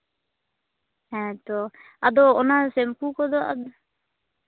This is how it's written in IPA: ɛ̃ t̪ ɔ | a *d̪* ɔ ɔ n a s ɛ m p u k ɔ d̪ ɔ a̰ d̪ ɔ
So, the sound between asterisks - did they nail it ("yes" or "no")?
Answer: yes